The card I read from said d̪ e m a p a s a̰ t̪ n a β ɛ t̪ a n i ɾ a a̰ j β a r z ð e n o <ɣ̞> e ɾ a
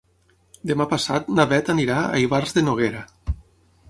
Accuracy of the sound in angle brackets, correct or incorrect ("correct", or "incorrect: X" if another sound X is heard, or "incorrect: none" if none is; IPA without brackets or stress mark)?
correct